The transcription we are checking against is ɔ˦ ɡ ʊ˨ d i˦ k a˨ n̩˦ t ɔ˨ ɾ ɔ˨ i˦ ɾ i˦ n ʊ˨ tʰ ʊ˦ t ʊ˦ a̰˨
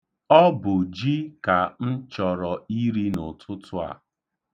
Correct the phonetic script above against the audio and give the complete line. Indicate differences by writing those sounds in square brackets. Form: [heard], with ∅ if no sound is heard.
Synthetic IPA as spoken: ɔ˦ [b] ʊ˨ [d͡ʒ] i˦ k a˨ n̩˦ [t͡ʃ] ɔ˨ ɾ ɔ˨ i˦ ɾ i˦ n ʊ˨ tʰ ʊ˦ t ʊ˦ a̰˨